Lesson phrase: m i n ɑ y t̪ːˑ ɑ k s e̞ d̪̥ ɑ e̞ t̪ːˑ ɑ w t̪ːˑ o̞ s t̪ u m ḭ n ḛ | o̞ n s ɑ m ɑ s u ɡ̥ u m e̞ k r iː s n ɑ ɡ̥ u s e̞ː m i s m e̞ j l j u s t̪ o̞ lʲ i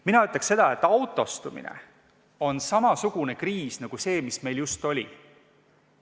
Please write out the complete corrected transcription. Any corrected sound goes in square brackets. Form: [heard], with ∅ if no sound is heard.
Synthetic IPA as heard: m i n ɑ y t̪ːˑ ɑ k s e̞ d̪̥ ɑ e̞ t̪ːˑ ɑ w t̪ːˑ o̞ s t̪ u m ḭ n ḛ | o̞ n s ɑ m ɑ s u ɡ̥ u [n] e̞ k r iː s n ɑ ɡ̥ u s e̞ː m i s m e̞ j l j u s t̪ o̞ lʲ i